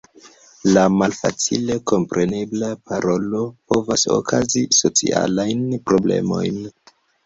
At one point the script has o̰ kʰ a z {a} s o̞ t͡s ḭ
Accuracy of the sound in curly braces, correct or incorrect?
incorrect